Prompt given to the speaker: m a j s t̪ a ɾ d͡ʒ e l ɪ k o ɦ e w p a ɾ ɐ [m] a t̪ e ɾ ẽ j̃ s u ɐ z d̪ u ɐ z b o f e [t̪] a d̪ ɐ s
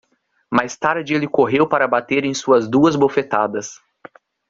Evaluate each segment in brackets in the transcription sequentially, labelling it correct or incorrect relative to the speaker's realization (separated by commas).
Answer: incorrect, correct